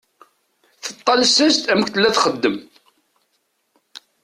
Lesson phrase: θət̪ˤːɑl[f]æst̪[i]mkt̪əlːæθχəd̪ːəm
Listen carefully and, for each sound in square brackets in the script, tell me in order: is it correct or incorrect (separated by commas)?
incorrect, incorrect